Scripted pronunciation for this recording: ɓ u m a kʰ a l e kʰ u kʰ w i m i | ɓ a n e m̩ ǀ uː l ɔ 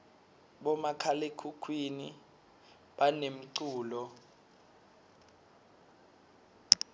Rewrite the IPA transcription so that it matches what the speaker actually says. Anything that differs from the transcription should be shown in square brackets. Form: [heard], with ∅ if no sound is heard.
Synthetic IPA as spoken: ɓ [ɔ] m a kʰ a l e kʰ u kʰ w i [n] i | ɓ a n e m̩ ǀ uː l ɔ